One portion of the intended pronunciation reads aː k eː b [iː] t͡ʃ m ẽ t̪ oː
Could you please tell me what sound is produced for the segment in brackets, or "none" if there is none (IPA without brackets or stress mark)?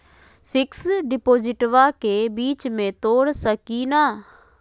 iː